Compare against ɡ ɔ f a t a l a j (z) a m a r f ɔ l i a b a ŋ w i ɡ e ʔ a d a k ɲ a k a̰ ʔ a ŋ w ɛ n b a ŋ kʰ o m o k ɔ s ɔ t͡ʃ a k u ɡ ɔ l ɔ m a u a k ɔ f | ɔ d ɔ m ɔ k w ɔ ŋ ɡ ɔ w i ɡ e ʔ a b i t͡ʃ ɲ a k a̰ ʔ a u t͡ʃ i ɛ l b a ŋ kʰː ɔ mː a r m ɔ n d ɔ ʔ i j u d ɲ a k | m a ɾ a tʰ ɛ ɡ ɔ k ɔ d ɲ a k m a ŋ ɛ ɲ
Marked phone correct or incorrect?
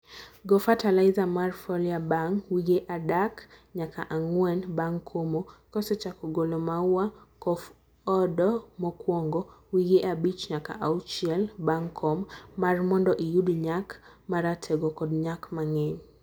correct